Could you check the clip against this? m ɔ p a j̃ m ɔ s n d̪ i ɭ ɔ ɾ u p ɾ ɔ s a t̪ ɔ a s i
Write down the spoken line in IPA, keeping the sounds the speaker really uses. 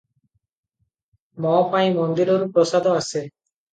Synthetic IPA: m ɔ p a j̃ m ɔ n d̪ i ɾ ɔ ɾ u p ɾ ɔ s a d̪ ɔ a s e